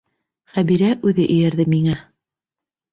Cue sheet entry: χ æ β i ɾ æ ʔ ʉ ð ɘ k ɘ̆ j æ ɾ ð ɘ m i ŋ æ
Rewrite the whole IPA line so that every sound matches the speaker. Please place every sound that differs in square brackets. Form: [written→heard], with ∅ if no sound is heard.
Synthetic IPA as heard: χ æ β i ɾ æ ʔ ʉ ð ɘ [k→ʔ] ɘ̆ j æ ɾ ð ɘ m i ŋ æ